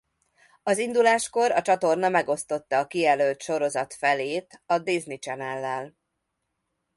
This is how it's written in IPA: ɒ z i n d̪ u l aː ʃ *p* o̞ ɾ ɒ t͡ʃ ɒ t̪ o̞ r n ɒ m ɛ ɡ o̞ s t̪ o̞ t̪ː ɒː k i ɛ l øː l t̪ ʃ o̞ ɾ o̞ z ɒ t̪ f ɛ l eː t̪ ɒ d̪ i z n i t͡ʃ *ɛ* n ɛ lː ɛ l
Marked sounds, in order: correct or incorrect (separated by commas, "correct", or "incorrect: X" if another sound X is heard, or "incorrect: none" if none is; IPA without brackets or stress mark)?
incorrect: k, correct